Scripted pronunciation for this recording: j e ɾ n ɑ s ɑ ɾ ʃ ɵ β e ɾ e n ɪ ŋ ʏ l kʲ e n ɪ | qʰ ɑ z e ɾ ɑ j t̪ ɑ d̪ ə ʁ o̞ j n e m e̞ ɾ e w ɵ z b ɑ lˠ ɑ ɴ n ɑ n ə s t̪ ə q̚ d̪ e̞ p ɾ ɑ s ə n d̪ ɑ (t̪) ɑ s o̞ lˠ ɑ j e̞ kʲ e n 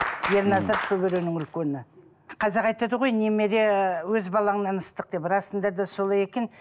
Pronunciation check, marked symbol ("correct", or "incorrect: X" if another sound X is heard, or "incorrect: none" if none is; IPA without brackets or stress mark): incorrect: d̪